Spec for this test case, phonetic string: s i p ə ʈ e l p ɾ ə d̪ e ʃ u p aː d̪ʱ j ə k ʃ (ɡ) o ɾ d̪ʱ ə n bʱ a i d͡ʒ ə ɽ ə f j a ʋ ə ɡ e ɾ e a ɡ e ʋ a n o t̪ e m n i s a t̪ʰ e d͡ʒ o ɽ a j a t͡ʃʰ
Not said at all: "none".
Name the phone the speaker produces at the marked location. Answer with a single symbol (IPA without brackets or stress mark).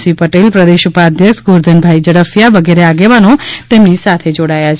ɡ